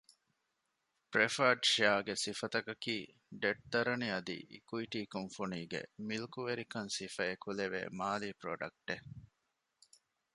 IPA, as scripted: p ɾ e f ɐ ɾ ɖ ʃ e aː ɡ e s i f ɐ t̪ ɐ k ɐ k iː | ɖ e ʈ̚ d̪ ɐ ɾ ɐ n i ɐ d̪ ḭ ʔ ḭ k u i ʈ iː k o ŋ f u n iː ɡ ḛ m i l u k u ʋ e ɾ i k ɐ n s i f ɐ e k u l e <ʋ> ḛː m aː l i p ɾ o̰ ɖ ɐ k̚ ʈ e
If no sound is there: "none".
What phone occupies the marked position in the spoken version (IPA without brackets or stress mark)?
ʋ